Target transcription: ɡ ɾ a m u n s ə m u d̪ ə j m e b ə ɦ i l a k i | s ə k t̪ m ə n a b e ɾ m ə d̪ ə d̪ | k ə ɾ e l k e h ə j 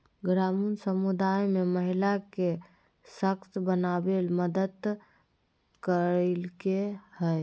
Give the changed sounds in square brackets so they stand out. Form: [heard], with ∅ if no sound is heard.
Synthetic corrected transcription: ɡ ɾ a m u n s ə m u d̪ [a] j m e [m] ə ɦ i l a k [e] | s ə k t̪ [b] ə n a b e [l] m ə d̪ ə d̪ | k ə ɾ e l k e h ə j